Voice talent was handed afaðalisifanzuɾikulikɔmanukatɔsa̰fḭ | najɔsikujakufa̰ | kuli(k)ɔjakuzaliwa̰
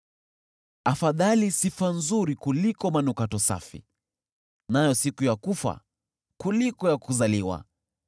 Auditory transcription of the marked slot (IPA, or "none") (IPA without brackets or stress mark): k